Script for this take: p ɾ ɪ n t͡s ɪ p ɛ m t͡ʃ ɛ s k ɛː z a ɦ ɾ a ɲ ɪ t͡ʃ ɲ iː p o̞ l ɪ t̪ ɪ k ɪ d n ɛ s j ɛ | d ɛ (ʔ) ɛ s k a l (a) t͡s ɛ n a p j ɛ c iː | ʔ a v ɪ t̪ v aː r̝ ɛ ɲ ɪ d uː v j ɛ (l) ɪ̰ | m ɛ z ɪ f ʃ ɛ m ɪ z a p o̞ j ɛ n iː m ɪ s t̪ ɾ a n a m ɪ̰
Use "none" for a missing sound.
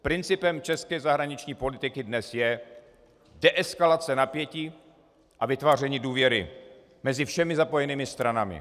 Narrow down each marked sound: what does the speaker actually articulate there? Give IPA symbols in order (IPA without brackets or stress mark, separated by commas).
ʔ, a, ɾ